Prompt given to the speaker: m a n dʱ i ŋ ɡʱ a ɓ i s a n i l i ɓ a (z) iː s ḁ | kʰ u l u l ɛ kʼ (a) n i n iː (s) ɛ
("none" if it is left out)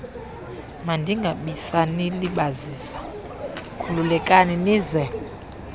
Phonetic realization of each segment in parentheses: z, a, z

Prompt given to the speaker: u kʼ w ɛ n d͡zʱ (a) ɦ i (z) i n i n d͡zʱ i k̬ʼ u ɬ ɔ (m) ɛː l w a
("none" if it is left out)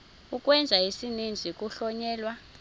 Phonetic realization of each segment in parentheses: a, s, ɲ

